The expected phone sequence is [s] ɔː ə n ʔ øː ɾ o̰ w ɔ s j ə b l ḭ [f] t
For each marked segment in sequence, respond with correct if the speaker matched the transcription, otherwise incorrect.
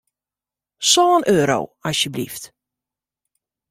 correct, correct

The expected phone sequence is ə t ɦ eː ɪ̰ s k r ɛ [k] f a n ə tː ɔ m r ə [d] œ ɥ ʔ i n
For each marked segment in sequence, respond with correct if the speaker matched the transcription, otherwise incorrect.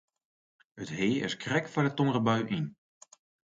correct, incorrect: b

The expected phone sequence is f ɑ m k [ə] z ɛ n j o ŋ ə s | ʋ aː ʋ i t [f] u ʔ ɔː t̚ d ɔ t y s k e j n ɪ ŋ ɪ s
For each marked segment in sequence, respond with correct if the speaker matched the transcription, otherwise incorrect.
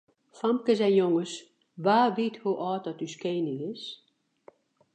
correct, incorrect: h

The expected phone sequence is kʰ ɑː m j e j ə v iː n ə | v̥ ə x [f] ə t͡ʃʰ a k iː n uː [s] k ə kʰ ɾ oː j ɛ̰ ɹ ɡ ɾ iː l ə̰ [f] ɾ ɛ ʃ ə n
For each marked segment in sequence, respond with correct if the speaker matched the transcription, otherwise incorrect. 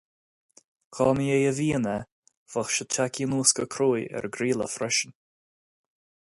incorrect: ʃ, correct, correct

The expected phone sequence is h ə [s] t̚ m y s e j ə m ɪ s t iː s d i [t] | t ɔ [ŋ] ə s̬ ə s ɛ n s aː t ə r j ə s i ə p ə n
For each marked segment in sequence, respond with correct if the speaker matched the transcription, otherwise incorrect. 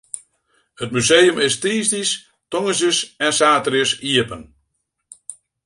incorrect: none, incorrect: s, correct

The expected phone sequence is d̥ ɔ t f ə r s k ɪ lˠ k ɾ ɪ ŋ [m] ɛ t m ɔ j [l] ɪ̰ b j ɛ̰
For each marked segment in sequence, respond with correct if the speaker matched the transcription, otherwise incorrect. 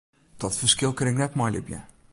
incorrect: n, correct

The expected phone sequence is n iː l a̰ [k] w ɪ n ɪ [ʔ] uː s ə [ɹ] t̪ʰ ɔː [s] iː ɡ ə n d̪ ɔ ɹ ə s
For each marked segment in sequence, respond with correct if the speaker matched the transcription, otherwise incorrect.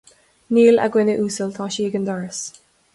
incorrect: ɡ, correct, incorrect: l, incorrect: ʃ

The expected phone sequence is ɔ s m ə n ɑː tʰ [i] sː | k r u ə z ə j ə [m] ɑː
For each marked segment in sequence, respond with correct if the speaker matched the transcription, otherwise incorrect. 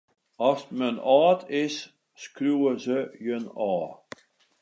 incorrect: ɪ, incorrect: n

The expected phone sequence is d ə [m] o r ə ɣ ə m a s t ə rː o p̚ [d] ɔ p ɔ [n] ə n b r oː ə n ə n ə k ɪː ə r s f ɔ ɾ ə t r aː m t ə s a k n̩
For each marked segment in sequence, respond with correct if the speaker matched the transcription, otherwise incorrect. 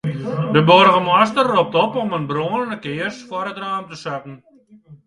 incorrect: b, incorrect: t, incorrect: m

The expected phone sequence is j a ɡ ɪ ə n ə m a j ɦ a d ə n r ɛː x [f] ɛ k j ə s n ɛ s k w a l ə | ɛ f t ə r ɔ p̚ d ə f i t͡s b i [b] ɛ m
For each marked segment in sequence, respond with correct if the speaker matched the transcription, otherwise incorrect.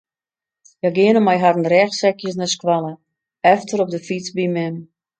incorrect: s, incorrect: m

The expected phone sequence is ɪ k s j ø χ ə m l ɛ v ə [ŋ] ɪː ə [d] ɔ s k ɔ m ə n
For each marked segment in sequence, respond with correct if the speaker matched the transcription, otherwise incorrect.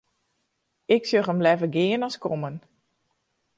incorrect: ɡ, incorrect: n

